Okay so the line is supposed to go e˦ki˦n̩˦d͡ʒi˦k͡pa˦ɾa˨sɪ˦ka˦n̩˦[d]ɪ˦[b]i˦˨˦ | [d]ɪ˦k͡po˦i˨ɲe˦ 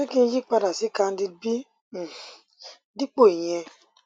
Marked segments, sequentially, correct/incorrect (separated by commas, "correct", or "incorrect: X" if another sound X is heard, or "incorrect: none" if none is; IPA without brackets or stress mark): correct, correct, correct